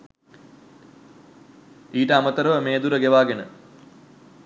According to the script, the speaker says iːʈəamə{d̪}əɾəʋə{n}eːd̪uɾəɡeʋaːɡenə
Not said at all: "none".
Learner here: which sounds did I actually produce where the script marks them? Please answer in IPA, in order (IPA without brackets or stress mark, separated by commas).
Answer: t̪, m